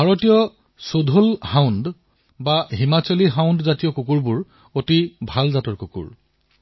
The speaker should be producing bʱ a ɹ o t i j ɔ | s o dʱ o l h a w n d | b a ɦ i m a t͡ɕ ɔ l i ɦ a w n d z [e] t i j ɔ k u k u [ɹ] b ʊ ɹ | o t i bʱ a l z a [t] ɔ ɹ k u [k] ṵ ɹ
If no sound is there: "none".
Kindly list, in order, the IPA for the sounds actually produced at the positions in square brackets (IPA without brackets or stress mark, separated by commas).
a, ɹ, t, k